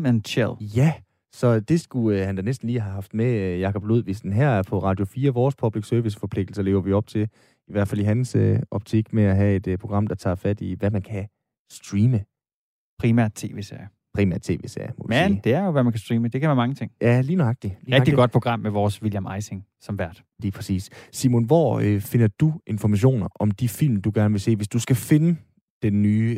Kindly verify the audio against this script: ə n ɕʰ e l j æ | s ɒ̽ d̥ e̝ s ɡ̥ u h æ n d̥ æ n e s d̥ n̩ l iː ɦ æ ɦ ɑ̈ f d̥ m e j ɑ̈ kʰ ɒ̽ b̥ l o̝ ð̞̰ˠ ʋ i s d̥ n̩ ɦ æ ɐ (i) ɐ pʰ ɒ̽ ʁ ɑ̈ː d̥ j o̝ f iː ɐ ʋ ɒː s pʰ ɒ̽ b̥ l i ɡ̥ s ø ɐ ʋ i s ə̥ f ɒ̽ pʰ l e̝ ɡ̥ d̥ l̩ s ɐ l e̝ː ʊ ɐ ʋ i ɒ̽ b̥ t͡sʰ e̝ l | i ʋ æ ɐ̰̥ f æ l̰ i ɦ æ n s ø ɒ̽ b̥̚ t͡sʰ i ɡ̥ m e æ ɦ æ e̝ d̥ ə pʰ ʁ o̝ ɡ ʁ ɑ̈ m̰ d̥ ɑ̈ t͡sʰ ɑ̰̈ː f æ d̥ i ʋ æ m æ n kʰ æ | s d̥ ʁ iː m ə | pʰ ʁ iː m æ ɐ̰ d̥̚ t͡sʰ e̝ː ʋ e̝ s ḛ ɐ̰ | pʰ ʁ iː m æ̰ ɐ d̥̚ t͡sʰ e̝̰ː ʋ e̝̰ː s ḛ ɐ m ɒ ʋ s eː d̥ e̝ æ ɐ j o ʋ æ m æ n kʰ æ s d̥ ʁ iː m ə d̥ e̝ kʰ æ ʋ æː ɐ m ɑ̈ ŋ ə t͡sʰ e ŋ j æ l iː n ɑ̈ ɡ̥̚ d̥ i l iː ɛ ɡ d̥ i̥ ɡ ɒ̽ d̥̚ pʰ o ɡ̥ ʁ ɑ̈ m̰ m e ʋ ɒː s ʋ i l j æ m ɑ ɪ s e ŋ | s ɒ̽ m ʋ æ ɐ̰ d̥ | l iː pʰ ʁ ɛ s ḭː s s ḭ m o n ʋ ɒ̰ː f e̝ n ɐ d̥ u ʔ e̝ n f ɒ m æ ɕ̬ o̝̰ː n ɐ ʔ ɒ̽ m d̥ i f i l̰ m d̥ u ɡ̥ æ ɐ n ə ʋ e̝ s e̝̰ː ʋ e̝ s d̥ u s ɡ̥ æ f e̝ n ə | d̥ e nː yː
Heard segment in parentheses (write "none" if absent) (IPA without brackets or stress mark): æ